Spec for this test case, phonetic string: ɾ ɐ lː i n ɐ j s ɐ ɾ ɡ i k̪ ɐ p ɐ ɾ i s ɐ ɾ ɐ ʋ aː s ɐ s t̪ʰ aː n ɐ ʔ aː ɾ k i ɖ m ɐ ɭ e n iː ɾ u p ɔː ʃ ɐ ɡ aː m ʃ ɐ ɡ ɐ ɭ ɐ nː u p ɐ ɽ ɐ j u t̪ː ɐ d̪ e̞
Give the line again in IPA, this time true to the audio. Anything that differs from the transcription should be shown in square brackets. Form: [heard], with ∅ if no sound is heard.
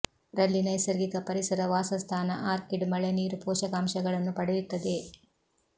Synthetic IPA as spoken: ɾ ɐ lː i n ɐ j s ɐ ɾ ɡ i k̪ ɐ p ɐ ɾ i s ɐ ɾ ɐ ʋ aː s ɐ s t̪ʰ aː n ɐ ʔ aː ɾ k i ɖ m ɐ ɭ e n iː ɾ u p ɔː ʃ ɐ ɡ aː m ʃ ɐ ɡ ɐ ɭ ɐ nː u p ɐ ɽ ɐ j u t̪ː ɐ d̪ e̞